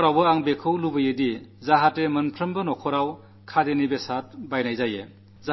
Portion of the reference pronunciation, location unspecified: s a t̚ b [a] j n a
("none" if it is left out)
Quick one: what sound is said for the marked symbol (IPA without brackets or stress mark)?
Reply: a